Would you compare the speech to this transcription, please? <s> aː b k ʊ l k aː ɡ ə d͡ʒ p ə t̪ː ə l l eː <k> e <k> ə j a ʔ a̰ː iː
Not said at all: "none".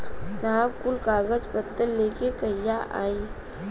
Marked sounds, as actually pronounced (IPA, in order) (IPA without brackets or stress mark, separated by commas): s, k, k